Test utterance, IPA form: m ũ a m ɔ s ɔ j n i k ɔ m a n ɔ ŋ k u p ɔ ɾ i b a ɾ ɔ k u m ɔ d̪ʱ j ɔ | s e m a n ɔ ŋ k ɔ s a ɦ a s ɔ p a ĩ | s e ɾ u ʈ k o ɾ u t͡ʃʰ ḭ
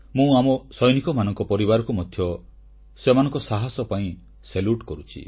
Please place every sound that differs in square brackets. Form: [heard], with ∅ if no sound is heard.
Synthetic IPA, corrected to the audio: m ũ a m ɔ s ɔ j n i k ɔ m a n ɔ ŋ k [ɔ] p ɔ ɾ i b a ɾ ɔ k u m ɔ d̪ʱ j ɔ | s e m a n ɔ ŋ k ɔ s a ɦ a s ɔ p a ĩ | s e [l] u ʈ k [ɔ] ɾ u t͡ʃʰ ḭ